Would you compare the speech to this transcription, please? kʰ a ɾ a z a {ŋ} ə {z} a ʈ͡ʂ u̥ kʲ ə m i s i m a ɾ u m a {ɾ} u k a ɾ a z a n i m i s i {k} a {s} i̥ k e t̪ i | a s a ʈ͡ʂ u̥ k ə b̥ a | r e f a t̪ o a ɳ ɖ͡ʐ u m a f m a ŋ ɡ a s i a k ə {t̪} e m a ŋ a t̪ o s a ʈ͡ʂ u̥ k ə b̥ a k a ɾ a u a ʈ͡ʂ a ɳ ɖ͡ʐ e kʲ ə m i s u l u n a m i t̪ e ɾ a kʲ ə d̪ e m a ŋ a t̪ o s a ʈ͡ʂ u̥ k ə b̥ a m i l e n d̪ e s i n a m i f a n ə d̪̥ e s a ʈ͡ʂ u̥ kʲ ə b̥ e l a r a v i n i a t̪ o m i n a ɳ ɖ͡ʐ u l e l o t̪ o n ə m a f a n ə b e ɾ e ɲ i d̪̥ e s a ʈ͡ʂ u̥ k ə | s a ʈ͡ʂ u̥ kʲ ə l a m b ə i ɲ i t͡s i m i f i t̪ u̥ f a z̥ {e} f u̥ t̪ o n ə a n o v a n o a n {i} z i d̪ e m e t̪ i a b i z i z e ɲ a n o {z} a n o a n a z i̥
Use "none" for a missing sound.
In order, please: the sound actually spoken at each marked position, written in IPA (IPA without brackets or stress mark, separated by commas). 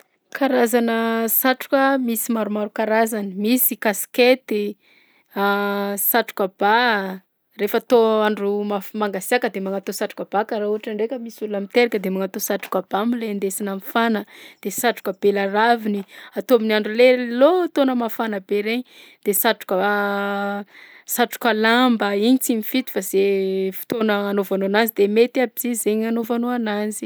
n, s, ɾ, k, s, d̪, e, a, v